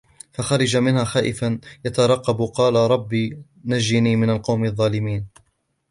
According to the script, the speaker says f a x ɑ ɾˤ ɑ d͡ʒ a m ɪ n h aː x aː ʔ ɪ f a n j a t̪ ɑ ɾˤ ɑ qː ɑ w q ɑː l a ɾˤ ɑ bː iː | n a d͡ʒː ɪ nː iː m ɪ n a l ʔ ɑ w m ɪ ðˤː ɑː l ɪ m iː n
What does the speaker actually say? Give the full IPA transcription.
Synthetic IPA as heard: f a x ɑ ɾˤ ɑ d͡ʒ a m ɪ n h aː x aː ʔ ɪ f a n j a t̪ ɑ ɾˤ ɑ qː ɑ b q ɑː l a ɾˤ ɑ bː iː | n a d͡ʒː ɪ n iː m ɪ n a l q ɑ w m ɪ ðˤː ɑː l ɪ m iː n